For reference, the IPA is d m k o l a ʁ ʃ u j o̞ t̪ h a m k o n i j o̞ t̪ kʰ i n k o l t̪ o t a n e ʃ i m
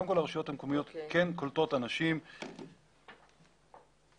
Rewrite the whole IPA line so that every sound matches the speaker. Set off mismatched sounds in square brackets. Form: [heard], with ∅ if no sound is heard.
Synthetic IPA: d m k o l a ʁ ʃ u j o̞ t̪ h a m k o [m] i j o̞ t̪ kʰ [e] n k o l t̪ o t a n [a] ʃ i m

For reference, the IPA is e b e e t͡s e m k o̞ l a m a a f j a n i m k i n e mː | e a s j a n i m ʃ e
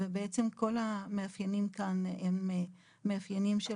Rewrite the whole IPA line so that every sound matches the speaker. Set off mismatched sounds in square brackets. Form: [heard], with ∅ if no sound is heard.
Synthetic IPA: e b e e t͡s e m k o̞ l a m [e] a f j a n i m k [a] n e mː | e a [f] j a n i m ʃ e

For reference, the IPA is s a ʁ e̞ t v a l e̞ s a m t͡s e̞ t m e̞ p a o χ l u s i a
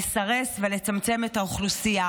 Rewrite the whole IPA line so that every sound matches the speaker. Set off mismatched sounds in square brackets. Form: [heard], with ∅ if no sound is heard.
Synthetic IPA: s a ʁ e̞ [s] v [e] l e̞ [t͡s] a m t͡s e̞ [∅] m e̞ [t] a o χ l u s i a

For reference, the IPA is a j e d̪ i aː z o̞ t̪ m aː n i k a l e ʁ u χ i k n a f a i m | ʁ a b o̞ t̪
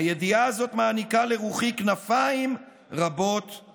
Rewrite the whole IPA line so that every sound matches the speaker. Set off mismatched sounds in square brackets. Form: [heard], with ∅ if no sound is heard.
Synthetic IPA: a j e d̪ i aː z o̞ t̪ m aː n i k a l e ʁ u χ i k n a f a i m | ʁ a b o̞ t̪

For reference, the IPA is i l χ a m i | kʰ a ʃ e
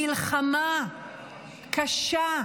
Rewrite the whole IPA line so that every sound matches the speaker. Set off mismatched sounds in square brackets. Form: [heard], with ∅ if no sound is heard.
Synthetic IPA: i l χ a m [a] | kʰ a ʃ [a]

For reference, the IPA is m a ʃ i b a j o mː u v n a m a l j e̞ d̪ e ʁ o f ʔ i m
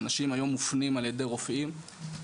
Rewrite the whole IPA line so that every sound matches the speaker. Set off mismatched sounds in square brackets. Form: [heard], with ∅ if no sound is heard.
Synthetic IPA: [n] a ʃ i [m] a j o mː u [f] n [i] m a l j e̞ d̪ e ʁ o f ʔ i m

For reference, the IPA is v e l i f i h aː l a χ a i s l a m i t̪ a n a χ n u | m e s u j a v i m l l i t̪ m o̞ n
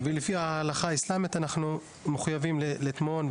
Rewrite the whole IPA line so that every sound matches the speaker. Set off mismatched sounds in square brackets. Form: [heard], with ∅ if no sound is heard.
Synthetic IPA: v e l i f i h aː l a χ a i s l a m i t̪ a n a χ n u | m e [χ] u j a v i m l l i t̪ m o̞ n

